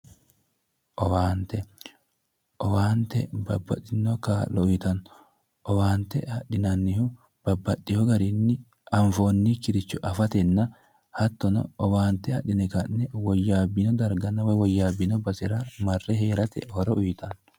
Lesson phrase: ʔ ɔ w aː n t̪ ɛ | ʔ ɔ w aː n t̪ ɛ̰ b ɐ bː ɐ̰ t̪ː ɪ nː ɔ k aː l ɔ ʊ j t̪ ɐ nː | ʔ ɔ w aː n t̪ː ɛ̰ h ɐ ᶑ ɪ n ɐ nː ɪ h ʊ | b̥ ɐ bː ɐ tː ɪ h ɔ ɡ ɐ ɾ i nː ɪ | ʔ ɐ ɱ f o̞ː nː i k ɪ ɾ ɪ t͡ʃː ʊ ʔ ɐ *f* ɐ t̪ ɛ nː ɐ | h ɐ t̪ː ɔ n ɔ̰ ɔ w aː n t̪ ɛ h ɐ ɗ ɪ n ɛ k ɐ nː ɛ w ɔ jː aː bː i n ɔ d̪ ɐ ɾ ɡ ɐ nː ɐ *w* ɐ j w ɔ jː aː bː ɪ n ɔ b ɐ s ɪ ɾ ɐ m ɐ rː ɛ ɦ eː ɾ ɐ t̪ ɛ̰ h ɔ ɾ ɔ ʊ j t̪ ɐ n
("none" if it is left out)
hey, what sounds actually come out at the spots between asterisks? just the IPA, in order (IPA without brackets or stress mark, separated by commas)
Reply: f, w